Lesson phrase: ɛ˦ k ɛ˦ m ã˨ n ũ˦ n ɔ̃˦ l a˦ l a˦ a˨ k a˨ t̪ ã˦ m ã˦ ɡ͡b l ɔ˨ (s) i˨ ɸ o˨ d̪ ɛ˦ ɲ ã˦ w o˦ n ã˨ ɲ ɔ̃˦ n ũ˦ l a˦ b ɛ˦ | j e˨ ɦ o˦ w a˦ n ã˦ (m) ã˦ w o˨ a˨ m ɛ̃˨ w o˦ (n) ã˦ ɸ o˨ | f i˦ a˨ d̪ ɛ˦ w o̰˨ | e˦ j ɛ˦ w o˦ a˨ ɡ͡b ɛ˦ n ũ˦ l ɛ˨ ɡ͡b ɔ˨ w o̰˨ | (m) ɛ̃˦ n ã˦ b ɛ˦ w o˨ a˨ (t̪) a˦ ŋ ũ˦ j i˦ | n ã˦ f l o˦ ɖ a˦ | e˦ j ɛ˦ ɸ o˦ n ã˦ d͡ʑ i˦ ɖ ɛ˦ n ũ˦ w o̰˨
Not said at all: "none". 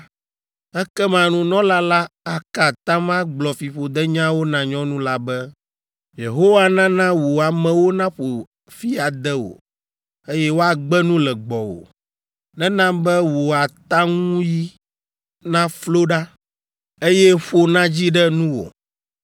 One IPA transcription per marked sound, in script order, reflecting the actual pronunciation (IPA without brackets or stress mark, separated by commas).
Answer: f, n, n, n, t̪